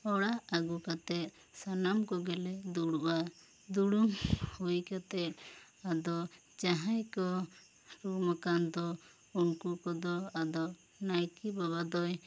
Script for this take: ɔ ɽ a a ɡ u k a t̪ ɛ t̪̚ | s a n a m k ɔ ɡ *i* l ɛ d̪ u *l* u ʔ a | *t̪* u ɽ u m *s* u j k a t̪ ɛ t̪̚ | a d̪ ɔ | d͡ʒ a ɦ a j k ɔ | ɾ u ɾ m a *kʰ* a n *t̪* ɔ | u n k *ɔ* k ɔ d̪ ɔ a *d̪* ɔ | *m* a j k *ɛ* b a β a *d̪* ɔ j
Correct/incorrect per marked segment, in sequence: incorrect: ɛ, incorrect: ɽ, incorrect: d̪, incorrect: h, incorrect: k, incorrect: d̪, incorrect: u, correct, incorrect: n, incorrect: i, correct

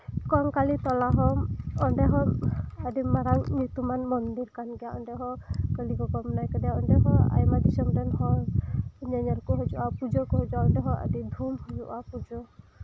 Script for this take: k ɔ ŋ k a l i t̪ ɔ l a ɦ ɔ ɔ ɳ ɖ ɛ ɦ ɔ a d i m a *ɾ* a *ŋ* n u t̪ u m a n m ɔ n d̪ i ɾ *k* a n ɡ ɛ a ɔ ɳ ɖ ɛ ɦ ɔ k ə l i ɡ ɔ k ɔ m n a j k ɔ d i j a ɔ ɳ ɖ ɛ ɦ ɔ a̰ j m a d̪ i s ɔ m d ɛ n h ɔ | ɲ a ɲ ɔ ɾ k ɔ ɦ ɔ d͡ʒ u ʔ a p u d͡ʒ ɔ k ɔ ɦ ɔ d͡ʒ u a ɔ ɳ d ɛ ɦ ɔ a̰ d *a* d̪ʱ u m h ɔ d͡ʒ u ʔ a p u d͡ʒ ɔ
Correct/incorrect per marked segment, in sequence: correct, correct, correct, incorrect: i

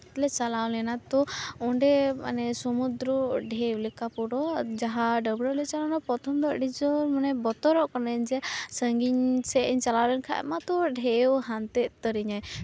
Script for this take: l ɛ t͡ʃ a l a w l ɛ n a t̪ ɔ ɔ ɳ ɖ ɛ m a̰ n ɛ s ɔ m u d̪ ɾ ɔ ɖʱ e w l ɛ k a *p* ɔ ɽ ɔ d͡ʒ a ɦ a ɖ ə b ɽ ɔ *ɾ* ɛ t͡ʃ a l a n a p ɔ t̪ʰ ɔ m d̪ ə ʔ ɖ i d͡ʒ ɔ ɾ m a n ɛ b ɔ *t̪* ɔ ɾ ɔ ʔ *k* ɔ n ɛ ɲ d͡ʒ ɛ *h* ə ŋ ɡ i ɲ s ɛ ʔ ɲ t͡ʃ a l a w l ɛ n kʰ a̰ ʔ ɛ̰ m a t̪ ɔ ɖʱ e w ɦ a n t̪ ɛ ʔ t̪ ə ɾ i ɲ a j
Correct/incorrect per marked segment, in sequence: correct, incorrect: l, correct, correct, incorrect: s

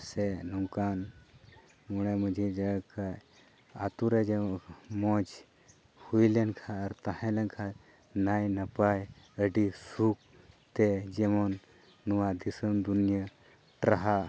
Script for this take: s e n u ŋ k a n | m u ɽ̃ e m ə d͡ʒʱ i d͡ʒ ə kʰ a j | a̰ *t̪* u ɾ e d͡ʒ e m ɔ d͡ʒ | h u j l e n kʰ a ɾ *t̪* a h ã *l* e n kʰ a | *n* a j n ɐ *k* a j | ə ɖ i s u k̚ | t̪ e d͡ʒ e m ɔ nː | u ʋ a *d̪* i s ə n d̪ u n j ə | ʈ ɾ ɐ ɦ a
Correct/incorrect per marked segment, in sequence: correct, correct, correct, correct, incorrect: p, correct

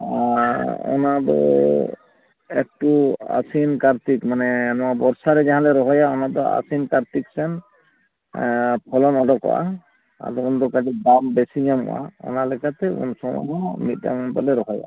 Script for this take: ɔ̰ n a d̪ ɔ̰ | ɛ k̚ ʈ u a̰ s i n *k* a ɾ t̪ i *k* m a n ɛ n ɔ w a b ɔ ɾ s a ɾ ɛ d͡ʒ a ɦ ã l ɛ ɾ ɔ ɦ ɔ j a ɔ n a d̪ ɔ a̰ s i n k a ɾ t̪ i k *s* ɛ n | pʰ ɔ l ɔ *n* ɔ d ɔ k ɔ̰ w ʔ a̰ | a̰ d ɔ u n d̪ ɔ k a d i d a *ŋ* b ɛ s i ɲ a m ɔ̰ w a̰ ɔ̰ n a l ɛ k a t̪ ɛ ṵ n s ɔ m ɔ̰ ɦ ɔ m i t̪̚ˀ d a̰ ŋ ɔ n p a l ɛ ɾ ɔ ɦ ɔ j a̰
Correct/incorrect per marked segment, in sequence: correct, correct, correct, correct, incorrect: m

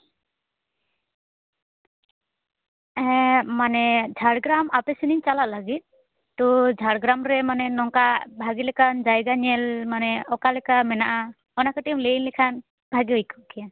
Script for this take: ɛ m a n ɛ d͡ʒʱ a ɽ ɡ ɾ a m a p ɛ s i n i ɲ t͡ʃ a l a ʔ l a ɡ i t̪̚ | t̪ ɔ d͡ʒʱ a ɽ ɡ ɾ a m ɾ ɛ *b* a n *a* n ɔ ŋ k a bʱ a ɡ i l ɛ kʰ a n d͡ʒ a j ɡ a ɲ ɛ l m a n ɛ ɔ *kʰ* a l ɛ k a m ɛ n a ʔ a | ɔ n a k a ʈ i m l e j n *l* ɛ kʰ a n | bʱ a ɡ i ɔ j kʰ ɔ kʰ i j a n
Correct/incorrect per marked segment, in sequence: incorrect: m, incorrect: ɛ, incorrect: k, correct

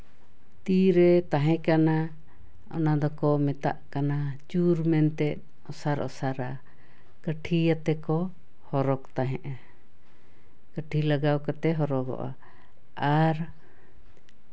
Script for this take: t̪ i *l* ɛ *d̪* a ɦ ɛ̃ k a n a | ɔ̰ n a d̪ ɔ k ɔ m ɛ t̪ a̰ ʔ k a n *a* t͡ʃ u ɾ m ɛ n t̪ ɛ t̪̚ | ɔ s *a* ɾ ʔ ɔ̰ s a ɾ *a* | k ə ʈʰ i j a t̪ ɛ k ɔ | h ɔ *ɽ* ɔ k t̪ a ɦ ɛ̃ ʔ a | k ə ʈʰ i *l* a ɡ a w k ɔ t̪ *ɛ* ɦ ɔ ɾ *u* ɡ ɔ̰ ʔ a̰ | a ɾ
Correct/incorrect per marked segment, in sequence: incorrect: ɾ, incorrect: t̪, correct, correct, correct, incorrect: ɾ, correct, correct, incorrect: ɔ

